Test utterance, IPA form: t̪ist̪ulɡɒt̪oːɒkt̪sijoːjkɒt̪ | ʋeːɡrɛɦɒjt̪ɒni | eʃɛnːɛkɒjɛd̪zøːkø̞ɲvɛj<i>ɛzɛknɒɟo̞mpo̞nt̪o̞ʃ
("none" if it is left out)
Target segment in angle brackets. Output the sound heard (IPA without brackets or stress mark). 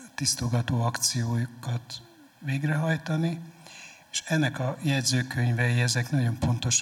i